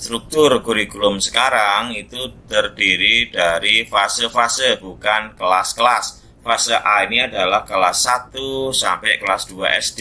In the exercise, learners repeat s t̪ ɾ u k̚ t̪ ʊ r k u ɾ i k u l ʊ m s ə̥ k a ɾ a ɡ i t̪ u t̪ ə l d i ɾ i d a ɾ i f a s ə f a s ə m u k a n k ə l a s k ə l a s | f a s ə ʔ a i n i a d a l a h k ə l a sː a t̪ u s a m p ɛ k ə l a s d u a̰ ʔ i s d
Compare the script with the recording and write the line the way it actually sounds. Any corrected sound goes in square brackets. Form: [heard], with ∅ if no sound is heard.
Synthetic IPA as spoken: s t̪ ɾ u k̚ t̪ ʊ r k u ɾ i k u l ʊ m s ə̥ k a ɾ a [ŋ] i t̪ u t̪ ə [r] d i ɾ i d a ɾ i f a s ə f a s ə [b] u k a n k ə l a s k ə l a s | f a s ə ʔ a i n i a d a l a h k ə l a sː a t̪ u s a m p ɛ k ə l a s d u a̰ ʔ [ɛ] s d